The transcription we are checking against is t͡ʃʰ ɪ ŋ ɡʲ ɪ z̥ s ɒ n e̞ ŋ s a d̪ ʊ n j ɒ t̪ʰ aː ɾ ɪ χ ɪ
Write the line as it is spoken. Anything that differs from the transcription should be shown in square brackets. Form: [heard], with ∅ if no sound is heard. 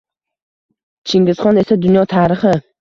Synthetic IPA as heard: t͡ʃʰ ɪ ŋ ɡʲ ɪ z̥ [χ] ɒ n e̞ [∅] s a d̪ ʊ n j ɒ t̪ʰ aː ɾ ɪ χ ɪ